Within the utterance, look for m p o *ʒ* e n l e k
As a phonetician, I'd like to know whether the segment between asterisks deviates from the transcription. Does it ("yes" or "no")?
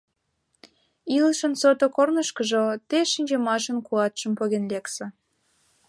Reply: yes